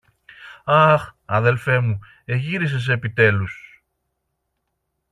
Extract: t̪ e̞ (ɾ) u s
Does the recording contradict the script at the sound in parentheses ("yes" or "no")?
yes